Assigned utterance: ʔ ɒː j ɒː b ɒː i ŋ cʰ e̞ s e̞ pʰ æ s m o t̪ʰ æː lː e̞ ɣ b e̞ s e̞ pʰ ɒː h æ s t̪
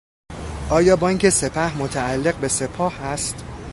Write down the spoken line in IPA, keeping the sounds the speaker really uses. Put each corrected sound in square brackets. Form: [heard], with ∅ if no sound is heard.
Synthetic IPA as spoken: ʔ ɒː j ɒː b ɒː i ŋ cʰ e̞ s e̞ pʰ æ [h] m o t̪ʰ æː lː e̞ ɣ b e̞ s e̞ pʰ ɒː h æ s t̪